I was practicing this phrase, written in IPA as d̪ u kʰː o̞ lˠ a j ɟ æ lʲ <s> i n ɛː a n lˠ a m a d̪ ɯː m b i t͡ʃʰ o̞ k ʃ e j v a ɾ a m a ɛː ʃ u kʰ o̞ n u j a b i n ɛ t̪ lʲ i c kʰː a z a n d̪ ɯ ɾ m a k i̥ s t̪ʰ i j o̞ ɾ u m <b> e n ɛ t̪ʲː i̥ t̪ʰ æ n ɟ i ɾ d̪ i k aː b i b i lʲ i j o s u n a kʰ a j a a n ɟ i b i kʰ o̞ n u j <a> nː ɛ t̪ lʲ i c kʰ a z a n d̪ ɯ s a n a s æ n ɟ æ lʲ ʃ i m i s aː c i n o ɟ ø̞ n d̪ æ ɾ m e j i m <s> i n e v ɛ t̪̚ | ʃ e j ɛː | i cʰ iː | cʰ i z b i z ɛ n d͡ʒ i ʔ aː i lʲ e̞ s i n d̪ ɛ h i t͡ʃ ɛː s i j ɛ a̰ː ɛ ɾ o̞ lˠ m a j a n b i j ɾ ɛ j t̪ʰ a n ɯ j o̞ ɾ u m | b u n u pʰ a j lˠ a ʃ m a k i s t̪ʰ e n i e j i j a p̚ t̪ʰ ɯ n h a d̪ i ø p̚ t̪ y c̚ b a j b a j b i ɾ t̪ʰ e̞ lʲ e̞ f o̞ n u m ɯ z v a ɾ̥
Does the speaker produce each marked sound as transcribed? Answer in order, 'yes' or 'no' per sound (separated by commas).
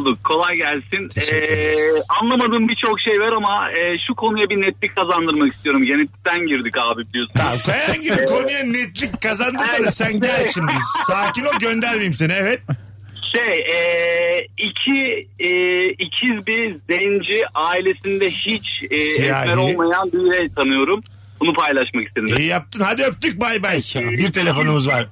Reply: yes, no, yes, yes